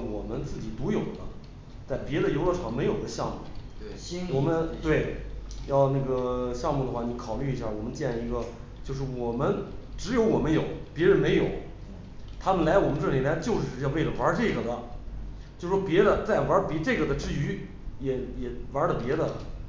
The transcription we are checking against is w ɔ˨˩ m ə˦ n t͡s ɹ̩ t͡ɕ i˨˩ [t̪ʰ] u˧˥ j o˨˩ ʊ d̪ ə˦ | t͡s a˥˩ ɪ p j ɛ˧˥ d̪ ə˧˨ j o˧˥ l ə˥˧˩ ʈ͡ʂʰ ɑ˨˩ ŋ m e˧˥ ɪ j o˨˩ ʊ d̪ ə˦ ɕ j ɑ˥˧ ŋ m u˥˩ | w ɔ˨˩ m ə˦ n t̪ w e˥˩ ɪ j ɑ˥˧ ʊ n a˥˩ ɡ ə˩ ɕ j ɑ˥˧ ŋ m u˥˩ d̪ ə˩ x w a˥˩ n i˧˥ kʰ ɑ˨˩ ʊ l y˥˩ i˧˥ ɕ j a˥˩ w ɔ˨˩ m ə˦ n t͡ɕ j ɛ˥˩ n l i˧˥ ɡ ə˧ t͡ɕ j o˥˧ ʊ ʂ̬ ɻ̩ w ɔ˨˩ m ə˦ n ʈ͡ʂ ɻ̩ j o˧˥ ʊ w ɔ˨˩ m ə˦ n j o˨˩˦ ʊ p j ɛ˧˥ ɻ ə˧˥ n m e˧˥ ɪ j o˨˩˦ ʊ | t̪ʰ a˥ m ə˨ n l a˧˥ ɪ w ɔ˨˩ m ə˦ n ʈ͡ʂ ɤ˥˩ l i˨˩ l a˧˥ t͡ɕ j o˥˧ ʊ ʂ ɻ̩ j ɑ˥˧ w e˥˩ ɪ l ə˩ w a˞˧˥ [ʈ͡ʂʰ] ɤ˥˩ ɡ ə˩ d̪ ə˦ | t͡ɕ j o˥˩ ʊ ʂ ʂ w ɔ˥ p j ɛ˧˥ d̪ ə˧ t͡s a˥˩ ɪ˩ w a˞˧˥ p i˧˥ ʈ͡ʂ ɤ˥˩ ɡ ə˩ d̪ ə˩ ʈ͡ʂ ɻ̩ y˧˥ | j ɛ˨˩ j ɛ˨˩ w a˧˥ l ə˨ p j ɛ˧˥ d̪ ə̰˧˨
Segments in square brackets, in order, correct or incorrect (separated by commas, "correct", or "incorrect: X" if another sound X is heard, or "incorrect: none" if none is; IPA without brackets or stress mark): incorrect: t̪, incorrect: ʈ͡ʂ